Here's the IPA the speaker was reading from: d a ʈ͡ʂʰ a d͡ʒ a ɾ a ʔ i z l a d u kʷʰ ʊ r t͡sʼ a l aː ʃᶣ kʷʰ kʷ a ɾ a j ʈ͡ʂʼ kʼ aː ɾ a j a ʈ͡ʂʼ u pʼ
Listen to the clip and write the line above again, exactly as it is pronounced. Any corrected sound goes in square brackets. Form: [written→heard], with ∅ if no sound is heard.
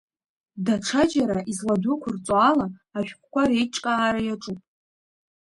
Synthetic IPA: d a ʈ͡ʂʰ a d͡ʒ a ɾ a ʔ i z l a d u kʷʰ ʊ r t͡sʼ a l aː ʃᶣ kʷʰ kʷ a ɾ [a→e] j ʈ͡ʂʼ kʼ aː ɾ a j a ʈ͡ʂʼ u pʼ